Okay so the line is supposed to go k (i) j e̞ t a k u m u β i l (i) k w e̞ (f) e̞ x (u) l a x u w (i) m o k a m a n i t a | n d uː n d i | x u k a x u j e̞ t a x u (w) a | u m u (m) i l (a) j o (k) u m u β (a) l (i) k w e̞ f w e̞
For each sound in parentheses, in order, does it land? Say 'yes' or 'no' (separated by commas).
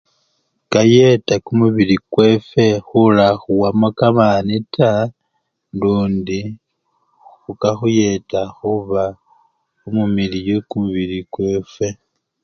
no, yes, yes, yes, no, no, yes, no, yes, no, yes